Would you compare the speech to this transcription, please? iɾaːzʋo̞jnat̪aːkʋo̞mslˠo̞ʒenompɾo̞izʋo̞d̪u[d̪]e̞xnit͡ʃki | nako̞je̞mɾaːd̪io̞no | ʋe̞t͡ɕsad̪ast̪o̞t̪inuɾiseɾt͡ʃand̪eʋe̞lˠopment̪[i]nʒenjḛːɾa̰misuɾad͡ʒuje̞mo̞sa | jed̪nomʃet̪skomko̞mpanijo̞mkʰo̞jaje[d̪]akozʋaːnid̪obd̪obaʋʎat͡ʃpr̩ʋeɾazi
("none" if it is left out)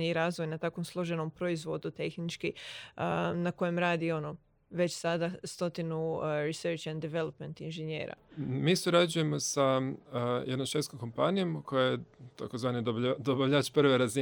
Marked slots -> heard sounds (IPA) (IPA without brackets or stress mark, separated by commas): t̪, i, t̪